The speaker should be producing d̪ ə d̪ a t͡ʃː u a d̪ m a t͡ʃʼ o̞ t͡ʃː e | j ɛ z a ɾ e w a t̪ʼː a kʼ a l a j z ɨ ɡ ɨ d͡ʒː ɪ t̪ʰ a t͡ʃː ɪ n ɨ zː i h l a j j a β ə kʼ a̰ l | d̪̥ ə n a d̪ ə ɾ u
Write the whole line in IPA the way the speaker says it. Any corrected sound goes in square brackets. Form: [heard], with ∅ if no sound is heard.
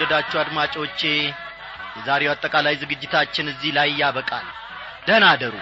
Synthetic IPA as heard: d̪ ə d̪ a t͡ʃː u a d̪ m a t͡ʃʼ o̞ t͡ʃː e | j ɛ z a ɾ e w a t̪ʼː [ə] kʼ a l a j z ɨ ɡ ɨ d͡ʒː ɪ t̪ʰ a t͡ʃː ɪ n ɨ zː i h l a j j a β ə kʼ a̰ l | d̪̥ ə n a d̪ ə ɾ u